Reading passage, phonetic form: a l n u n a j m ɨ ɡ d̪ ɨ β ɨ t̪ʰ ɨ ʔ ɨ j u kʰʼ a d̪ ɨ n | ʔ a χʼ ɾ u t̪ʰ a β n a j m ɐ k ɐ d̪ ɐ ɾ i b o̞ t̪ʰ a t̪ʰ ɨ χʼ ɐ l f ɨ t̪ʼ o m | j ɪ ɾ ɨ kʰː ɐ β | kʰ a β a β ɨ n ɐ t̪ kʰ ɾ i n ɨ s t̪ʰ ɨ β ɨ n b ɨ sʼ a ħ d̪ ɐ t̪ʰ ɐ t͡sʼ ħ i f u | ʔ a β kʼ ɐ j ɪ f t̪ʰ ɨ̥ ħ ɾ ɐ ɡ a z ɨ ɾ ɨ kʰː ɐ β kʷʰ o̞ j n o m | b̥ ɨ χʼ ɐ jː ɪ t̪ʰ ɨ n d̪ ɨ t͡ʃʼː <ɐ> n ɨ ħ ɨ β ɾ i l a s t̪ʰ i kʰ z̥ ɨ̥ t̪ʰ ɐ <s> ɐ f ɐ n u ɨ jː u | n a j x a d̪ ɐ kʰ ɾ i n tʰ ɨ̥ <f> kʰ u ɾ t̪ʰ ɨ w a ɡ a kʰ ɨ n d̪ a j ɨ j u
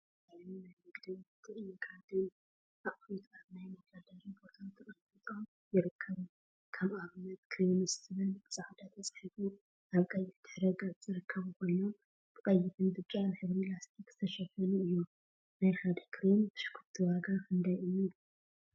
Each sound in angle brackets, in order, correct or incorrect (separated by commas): incorrect, incorrect, incorrect